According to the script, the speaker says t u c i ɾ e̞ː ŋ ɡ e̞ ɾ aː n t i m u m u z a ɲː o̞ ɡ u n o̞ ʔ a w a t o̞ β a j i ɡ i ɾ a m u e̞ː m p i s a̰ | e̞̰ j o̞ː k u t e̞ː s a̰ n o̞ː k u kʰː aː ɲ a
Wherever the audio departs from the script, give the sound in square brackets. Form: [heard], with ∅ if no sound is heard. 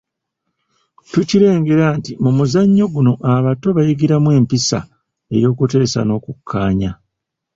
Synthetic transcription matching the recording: t u c i ɾ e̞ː ŋ ɡ e̞ ɾ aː n t i m u m u z a ɲː o̞ ɡ u n o̞ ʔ a [β] a t o̞ β a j i ɡ i ɾ a m [w] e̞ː m p i s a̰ | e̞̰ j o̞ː k u t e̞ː s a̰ n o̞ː k u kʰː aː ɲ a